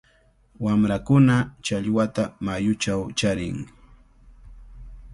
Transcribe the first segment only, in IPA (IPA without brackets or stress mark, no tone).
w